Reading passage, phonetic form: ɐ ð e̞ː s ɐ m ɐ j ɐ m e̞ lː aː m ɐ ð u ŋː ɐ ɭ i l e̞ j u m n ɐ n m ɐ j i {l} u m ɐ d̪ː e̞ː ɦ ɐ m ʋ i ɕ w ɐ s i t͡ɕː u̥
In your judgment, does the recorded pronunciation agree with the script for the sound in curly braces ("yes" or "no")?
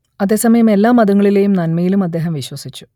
yes